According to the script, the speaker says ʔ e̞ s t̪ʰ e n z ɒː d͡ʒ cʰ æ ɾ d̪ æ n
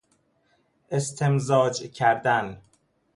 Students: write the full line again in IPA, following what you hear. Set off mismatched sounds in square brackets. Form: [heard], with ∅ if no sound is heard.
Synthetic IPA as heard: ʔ e̞ s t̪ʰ e [m] z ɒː d͡ʒ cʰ æ ɾ d̪ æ n